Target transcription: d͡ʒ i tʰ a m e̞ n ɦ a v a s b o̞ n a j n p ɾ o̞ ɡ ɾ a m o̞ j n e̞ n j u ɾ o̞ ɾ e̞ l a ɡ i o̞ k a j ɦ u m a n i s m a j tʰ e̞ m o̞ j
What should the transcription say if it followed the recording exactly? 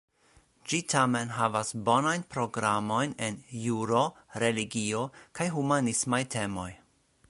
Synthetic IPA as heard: d͡ʒ i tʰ a m e̞ n ɦ a v a s b o̞ n a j n p ɾ o̞ ɡ ɾ a m o̞ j n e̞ n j u ɾ o̞ ɾ e̞ l i ɡ i o̞ k a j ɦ u m a n i s m a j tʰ e̞ m o̞ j

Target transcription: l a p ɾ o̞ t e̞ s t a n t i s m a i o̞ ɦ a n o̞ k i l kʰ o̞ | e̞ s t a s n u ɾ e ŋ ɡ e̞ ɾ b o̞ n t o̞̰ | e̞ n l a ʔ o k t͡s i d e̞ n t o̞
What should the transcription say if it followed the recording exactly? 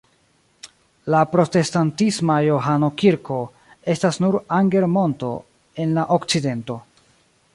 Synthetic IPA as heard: l a p ɾ o̞ t e̞ s t a n t i s m a j o̞ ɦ a n o̞ k i ɾ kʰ o̞ | e̞ s t a s n u ɾ a ŋ ɡ e̞ ɾ m o̞ n t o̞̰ | e̞ n l a ʔ o k t͡s i d e̞ n t o̞

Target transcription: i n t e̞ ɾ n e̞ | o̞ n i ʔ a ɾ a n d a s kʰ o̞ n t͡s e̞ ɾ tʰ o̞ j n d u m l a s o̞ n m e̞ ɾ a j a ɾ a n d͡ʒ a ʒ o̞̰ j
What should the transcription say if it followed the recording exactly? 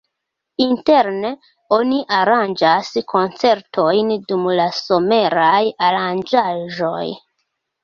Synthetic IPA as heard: i n t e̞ ɾ n e̞ | o̞ n i ʔ a ɾ a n d͡ʒ a s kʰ o̞ n t͡s e̞ ɾ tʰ o̞ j n d u m l a s o̞ m e̞ ɾ a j a ɾ a n d͡ʒ a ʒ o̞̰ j

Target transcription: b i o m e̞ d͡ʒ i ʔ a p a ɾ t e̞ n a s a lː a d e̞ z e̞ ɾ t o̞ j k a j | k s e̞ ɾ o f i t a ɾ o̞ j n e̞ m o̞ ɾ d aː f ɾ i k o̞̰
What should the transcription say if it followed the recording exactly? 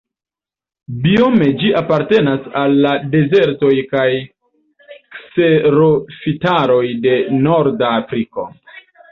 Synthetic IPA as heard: b i o m e̞ d͡ʒ i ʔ a p a ɾ t e̞ n a s a lː a d e̞ z e̞ ɾ t o̞ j k a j | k s e̞ ɾ o f i t a ɾ o̞ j d e̞ n o̞ ɾ d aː f ɾ i k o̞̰

